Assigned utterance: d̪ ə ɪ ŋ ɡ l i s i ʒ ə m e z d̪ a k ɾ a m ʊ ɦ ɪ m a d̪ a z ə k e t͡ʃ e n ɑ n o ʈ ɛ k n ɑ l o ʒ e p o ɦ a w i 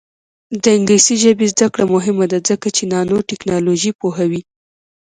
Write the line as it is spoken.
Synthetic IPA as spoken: d̪ ə ɪ ŋ ɡ l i s i ʒ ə b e z d̪ a k ɽ a m ʊ ɦ ɪ m a d̪ a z ə k a t͡ʃ e n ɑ n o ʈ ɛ k n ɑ l o ʒ i p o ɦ a w i